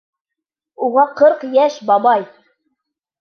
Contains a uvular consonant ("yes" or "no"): yes